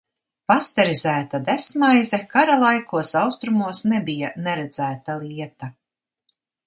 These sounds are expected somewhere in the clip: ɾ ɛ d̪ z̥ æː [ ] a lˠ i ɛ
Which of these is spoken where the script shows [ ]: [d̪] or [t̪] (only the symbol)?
t̪